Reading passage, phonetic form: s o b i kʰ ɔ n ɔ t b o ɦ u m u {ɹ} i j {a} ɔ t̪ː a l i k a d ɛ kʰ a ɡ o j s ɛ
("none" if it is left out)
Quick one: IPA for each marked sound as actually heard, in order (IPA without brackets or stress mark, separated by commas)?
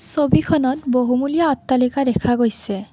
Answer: l, a